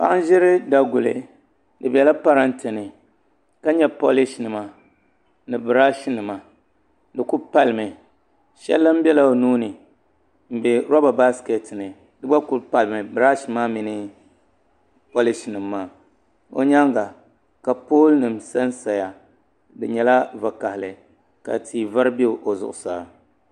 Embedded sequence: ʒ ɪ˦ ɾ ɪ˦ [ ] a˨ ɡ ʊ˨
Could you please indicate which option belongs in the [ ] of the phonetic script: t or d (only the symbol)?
d